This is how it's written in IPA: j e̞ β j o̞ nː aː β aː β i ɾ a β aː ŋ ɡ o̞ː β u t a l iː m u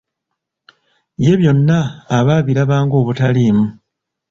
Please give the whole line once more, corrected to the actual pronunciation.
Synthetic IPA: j e̞ β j o̞ nː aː β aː β i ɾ a β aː ŋ ɡ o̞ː β u t a l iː m u